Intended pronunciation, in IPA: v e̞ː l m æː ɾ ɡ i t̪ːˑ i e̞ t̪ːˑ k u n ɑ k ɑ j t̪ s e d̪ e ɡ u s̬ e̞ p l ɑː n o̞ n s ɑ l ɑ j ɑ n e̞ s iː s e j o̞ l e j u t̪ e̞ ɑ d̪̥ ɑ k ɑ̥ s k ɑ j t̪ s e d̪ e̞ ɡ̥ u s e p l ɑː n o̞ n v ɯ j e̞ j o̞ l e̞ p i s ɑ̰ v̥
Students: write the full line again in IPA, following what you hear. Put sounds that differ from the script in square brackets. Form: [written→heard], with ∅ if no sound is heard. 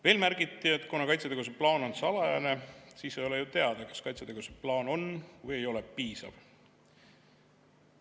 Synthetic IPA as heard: v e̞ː l m [æː→æ] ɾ ɡ i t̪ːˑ i e̞ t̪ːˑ k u n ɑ k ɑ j t̪ s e [d̪→t̪] e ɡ u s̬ e̞ p l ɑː n o̞ n s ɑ l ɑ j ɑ n e̞ s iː s e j o̞ l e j u t̪ e̞ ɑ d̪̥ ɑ k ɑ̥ s k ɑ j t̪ s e [d̪→t̪] e̞ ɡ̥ u s e p l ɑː n o̞ n v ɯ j e̞ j o̞ l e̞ p [i→iː] s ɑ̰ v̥